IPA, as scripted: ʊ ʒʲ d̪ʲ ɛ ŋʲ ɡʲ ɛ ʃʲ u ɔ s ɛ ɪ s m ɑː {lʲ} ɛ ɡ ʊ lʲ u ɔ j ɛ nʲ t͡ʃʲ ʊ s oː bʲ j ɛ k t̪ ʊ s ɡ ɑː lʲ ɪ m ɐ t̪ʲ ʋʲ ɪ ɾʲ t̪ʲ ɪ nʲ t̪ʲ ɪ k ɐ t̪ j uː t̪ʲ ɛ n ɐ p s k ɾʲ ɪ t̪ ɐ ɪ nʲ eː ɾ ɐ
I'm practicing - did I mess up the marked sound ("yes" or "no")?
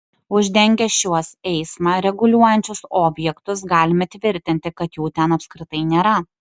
yes